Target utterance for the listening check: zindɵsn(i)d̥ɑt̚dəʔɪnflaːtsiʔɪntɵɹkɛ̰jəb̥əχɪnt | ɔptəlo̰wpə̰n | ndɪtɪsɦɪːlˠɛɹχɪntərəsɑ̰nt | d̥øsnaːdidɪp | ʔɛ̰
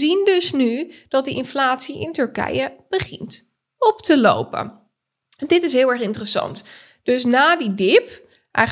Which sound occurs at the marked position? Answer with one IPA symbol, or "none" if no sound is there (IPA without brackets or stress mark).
y